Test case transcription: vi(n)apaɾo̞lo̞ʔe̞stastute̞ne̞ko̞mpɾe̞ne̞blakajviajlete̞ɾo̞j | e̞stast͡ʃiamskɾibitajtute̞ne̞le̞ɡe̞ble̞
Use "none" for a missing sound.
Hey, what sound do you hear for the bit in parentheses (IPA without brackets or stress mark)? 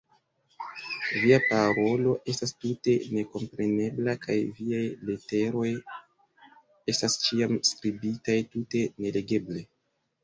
none